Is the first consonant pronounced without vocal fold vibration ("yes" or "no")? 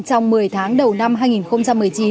yes